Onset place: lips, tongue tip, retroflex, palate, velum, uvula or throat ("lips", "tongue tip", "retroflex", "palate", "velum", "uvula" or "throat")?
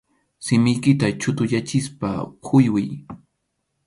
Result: tongue tip